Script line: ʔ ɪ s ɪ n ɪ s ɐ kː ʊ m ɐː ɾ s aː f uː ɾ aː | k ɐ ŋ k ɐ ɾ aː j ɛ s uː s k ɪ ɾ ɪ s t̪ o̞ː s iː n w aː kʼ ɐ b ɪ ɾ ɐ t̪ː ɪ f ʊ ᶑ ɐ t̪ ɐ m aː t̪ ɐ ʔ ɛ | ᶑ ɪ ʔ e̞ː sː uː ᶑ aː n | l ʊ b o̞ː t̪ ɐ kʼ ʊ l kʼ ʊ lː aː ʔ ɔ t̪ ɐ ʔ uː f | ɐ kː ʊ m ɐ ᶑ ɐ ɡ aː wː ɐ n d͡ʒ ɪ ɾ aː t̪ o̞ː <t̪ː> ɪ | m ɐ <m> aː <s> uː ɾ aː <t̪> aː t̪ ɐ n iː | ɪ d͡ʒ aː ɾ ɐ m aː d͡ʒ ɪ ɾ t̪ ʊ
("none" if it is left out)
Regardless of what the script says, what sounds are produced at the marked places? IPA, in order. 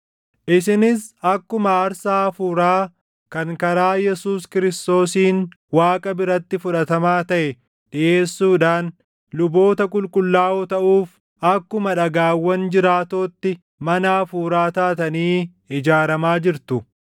t̪ː, n, f, t̪

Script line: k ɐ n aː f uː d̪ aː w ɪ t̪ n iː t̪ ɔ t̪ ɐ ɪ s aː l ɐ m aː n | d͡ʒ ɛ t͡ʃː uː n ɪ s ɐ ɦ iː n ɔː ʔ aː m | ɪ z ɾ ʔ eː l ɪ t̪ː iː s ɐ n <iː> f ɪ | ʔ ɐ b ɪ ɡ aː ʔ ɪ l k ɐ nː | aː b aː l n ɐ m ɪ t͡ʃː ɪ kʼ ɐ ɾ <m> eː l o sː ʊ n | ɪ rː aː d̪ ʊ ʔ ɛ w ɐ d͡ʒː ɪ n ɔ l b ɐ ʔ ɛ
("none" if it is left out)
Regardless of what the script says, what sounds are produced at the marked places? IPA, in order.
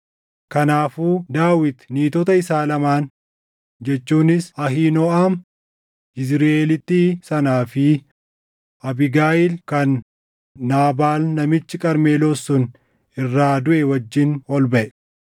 aː, m

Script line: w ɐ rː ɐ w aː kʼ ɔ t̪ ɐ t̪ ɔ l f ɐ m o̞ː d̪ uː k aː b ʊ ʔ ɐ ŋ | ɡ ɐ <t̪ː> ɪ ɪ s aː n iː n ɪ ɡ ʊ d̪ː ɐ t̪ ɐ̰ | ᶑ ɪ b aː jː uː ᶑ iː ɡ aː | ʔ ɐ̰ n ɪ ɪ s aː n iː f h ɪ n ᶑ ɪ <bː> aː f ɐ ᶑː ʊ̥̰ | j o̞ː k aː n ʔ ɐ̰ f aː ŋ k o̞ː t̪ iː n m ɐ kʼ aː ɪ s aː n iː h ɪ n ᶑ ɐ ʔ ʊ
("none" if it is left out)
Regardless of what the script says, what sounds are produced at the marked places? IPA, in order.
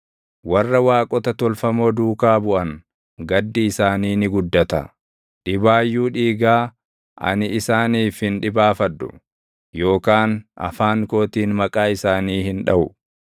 d̪ː, b

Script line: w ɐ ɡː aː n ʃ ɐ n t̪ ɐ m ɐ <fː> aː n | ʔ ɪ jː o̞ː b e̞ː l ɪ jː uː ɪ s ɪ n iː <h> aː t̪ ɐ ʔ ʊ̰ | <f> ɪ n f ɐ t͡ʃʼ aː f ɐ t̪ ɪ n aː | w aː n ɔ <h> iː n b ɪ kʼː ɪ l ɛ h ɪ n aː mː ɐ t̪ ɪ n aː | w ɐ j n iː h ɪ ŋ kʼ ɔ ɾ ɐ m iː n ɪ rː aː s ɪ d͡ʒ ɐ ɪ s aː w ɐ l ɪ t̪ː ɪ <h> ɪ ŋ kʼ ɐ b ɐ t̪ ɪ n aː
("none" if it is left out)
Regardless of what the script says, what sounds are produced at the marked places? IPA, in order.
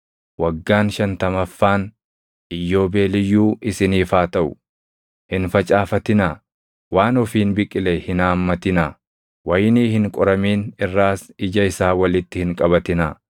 fː, f, h, f, h

